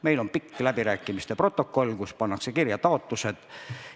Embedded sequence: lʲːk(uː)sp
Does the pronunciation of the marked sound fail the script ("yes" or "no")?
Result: yes